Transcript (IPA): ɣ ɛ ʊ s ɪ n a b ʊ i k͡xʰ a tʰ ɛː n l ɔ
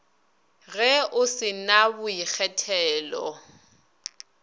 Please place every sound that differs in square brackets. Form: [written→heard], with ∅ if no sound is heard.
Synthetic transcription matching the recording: ɣ ɛ ʊ s ɪ n a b ʊ i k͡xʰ [a→ɛ] tʰ ɛː [n→∅] l ɔ